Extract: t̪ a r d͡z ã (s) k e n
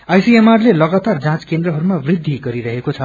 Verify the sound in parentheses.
incorrect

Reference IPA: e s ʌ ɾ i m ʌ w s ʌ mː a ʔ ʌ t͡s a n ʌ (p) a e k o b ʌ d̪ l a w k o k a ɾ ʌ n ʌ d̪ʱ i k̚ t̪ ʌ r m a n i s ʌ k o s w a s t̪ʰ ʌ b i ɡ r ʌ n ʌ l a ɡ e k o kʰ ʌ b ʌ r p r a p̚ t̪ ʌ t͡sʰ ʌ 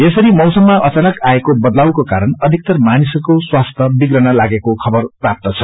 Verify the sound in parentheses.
incorrect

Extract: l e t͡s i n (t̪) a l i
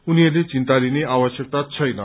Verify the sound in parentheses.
correct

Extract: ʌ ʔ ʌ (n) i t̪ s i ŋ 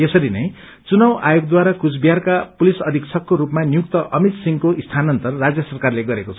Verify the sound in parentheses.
incorrect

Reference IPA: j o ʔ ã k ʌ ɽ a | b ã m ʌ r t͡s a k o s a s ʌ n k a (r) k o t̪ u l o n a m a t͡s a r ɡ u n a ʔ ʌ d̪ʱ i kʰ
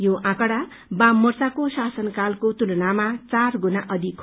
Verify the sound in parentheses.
incorrect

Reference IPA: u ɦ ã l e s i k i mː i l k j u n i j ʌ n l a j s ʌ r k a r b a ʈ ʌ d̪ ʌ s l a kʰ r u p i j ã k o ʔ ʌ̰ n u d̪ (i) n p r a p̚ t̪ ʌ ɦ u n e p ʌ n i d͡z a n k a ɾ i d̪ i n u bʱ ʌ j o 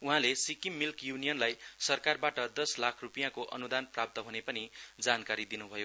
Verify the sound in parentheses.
incorrect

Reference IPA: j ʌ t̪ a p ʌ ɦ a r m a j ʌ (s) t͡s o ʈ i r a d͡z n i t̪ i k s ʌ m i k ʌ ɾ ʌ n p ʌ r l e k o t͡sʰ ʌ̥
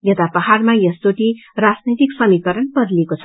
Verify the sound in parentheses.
correct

